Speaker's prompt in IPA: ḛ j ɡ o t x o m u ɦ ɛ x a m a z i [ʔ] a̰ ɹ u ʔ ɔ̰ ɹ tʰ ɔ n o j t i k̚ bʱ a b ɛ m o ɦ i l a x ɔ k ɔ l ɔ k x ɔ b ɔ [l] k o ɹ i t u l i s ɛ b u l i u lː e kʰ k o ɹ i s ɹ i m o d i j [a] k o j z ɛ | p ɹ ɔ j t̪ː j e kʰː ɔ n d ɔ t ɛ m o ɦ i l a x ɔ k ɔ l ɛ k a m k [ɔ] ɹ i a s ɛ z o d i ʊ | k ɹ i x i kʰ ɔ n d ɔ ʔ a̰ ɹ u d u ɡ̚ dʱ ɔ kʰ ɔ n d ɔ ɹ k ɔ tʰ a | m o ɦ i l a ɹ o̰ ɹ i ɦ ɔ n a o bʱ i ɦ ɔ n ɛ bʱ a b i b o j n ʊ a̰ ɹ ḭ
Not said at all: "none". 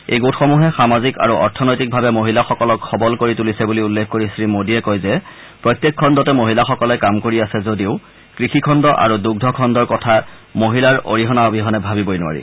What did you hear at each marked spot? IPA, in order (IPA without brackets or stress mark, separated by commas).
k, l, ɛ, o